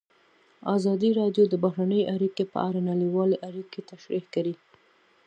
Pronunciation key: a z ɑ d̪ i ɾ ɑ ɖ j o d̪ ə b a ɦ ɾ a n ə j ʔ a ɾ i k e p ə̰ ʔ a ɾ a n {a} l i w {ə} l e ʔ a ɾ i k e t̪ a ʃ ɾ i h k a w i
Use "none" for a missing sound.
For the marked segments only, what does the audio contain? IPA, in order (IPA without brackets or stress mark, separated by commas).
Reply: a, ɑ